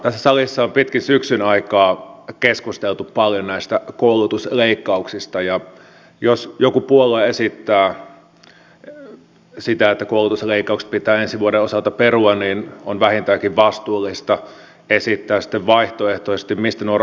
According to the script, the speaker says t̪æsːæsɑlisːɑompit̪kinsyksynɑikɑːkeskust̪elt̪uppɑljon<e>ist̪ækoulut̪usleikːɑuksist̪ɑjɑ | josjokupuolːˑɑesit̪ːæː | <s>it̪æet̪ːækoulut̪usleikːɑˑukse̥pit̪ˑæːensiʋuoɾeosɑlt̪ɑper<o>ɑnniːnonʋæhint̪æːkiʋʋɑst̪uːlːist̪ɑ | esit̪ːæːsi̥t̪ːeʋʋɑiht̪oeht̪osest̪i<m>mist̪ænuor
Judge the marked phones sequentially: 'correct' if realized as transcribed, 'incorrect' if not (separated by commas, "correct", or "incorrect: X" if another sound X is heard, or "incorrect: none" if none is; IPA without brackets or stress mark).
incorrect: æ, correct, incorrect: u, correct